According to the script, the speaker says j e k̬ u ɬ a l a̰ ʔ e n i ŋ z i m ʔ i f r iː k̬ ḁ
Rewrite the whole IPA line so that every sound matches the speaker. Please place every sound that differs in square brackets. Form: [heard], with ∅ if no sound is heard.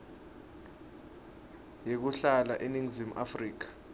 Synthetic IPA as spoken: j e k̬ u ɬ a l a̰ ʔ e n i ŋ z i m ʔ [a] f r iː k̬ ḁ